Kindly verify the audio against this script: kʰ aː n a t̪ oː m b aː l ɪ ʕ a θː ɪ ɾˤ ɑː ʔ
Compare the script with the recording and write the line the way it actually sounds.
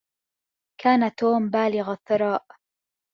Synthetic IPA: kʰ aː n a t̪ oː m b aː l ɪ ɣ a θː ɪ ɾˤ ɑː ʔ